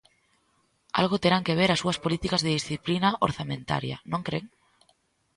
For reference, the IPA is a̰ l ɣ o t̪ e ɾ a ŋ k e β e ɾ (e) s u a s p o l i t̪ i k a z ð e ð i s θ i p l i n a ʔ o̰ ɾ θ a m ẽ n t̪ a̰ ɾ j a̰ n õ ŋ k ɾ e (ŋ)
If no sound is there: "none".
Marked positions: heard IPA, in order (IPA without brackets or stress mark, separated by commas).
a, ŋ